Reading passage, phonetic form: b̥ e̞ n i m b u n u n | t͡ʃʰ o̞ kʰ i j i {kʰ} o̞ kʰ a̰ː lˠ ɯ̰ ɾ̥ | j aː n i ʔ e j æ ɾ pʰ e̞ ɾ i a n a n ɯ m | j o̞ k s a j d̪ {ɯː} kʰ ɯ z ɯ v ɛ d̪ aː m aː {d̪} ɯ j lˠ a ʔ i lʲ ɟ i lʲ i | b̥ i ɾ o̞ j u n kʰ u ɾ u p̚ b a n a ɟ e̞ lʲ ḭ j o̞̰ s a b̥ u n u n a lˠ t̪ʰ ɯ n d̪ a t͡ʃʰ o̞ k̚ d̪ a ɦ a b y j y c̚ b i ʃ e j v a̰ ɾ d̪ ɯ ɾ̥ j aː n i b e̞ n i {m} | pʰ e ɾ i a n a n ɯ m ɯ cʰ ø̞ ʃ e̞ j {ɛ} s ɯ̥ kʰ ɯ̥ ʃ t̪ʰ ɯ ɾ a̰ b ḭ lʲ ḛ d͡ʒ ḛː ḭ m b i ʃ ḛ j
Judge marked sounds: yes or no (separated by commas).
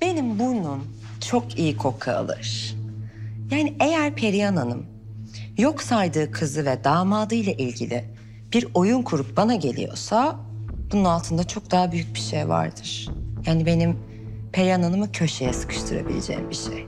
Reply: yes, yes, yes, yes, yes